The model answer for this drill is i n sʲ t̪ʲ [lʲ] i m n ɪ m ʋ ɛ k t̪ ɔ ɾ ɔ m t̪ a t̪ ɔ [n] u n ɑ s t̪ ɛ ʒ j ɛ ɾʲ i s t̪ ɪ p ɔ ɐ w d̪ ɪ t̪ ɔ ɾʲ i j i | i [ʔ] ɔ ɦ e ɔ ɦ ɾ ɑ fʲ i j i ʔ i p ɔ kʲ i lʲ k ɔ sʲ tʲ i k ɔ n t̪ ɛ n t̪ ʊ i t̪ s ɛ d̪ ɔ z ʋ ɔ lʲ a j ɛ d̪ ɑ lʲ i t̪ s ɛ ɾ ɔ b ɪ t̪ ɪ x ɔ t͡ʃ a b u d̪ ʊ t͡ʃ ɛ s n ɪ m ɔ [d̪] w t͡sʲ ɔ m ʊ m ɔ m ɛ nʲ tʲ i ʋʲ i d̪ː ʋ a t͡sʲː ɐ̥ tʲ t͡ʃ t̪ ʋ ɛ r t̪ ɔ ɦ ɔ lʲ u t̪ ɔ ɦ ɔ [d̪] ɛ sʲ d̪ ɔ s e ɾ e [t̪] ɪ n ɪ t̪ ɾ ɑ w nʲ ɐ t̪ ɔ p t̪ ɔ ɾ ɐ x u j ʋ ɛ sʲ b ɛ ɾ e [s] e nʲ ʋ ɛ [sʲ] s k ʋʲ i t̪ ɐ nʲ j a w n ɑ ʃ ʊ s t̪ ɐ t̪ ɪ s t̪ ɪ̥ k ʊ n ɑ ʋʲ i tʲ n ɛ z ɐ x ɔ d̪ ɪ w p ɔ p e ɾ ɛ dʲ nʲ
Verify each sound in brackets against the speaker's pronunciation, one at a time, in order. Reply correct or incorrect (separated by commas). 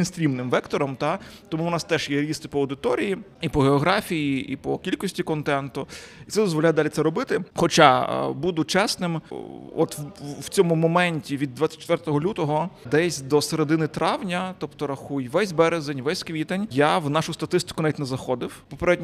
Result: incorrect, incorrect, incorrect, incorrect, correct, incorrect, incorrect, correct